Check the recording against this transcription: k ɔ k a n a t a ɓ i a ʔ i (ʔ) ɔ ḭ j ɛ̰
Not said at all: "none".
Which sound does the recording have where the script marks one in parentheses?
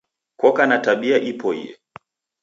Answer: p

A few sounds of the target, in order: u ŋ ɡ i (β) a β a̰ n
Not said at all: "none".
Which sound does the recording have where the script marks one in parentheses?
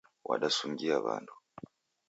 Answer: none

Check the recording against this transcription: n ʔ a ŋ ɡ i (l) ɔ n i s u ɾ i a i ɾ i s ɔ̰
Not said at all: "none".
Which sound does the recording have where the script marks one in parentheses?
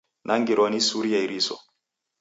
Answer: ɾ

